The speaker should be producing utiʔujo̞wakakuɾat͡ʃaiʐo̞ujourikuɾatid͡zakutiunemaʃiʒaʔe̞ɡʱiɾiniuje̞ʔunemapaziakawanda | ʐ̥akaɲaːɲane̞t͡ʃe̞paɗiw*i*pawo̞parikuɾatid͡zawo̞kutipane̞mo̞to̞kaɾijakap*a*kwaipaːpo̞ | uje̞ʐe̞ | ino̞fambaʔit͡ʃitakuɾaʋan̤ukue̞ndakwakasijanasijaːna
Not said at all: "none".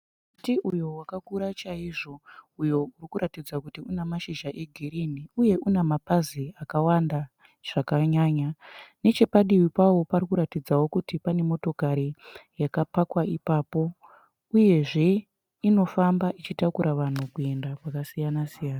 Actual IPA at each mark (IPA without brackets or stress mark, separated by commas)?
i, a